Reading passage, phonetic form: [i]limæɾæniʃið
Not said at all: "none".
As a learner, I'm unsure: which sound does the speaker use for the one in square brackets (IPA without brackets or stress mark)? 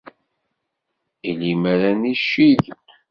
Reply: i